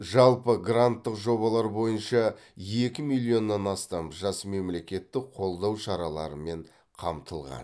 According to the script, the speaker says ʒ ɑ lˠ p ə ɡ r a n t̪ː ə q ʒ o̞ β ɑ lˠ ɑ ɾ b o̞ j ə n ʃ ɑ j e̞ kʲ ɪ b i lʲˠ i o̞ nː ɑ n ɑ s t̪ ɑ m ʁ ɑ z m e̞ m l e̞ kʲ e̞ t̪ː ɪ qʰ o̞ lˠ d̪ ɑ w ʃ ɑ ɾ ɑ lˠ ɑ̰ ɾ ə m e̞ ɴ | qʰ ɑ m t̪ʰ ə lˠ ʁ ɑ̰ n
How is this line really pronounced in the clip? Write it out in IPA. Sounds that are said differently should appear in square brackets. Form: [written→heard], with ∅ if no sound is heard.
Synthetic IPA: ʒ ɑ lˠ p ə ɡ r a n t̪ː ə q ʒ o̞ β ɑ lˠ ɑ ɾ b o̞ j ə n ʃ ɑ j e̞ kʲ ɪ [b→m] i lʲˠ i o̞ nː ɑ n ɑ s t̪ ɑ m [ʁ→ʒ] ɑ [z→s] m e̞ m l e̞ kʲ e̞ t̪ː ɪ qʰ o̞ lˠ d̪ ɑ w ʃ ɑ ɾ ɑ lˠ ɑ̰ ɾ ə m e̞ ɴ | qʰ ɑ m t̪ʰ ə lˠ ʁ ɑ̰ n